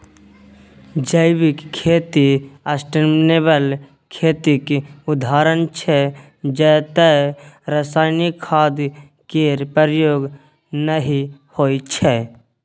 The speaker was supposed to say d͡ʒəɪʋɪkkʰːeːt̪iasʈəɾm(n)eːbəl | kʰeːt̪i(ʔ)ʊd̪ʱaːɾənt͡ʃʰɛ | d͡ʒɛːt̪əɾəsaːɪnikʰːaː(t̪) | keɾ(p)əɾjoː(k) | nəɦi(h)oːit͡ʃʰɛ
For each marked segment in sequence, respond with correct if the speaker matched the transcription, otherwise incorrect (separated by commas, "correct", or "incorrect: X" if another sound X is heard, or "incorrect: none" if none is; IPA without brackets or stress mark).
correct, incorrect: k, incorrect: d̪, correct, incorrect: ɡ, correct